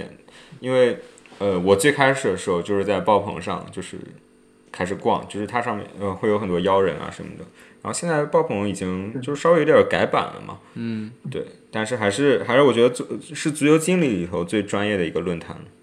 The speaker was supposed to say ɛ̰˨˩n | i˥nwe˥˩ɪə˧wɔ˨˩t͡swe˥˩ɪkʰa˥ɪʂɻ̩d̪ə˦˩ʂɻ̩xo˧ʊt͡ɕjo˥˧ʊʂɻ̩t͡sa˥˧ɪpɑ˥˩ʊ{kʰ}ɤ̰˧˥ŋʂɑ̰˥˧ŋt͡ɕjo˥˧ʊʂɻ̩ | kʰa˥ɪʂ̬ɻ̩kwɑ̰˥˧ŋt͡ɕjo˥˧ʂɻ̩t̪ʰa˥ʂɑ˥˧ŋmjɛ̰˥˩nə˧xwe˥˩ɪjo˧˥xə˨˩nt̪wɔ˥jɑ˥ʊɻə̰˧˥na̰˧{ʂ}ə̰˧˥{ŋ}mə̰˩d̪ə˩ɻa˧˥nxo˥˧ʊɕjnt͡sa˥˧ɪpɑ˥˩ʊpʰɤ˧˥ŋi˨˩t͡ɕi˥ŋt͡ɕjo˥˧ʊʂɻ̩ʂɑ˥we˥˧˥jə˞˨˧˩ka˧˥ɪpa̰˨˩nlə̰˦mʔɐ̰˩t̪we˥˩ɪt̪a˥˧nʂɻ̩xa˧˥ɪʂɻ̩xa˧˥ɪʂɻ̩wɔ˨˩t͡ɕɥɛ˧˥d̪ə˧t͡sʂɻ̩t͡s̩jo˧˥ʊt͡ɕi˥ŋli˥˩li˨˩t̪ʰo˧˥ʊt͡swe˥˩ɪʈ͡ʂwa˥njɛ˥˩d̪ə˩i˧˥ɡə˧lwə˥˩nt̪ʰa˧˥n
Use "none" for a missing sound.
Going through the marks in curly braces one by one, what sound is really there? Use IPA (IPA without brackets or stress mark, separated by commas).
pʰ, ʂ, n